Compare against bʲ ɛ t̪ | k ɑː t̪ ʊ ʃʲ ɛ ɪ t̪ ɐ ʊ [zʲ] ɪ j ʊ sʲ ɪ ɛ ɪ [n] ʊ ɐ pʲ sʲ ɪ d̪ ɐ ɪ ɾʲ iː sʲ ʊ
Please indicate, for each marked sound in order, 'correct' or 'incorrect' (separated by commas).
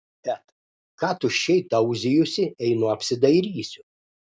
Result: correct, correct